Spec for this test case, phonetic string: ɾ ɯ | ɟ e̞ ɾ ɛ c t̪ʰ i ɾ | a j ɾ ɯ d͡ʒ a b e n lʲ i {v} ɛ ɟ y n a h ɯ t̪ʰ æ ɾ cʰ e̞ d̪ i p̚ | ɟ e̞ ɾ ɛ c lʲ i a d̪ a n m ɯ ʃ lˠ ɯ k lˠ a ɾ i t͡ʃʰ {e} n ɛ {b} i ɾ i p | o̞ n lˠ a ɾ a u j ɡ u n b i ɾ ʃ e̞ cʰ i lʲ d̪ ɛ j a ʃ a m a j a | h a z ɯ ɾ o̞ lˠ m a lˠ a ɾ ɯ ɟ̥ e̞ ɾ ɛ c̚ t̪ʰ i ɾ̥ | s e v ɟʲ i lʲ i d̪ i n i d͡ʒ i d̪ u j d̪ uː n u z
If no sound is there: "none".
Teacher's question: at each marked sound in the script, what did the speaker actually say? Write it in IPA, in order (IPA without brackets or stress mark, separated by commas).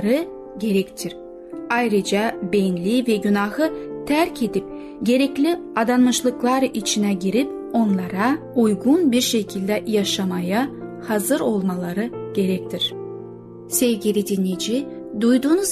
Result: v, i, ɟ